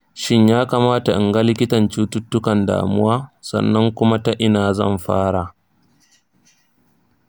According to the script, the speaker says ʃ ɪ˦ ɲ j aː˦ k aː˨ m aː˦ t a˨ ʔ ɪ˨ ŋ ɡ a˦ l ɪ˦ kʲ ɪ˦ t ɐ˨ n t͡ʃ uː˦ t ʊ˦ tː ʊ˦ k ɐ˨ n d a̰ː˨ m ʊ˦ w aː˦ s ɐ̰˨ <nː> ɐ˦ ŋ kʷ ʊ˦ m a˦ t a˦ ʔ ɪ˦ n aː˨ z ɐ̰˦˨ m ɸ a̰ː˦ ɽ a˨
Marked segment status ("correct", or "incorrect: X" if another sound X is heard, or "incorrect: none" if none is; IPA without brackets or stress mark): correct